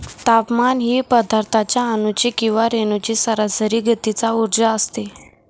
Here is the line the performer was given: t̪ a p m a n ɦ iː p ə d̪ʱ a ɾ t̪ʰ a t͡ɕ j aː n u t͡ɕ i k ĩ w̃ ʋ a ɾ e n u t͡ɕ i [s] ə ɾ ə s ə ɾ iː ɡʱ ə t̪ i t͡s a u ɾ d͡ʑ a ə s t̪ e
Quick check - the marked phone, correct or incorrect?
correct